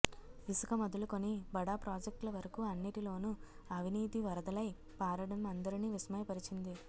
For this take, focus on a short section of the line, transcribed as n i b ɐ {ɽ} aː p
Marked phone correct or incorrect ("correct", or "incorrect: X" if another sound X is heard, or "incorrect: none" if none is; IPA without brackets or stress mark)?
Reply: correct